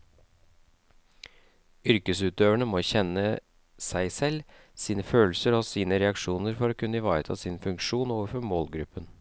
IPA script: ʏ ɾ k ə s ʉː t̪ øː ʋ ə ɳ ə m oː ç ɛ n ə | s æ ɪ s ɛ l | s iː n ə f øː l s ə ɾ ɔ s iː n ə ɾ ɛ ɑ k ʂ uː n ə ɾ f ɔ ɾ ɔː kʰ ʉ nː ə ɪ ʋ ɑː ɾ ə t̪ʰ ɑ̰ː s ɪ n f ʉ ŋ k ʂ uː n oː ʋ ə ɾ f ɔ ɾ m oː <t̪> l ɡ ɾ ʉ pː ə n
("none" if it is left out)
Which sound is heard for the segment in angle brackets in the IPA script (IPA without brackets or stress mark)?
none